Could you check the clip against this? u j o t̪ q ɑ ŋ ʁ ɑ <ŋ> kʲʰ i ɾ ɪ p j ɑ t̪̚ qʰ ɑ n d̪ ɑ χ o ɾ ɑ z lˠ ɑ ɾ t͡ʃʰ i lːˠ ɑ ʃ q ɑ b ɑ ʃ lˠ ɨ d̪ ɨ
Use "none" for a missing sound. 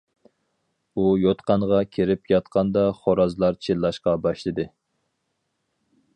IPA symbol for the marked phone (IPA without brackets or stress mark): none